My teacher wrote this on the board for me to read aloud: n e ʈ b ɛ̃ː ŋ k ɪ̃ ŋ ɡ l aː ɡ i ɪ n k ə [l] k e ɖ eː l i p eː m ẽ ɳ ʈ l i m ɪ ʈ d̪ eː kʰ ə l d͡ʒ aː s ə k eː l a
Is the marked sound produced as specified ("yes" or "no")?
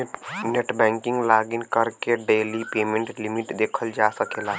no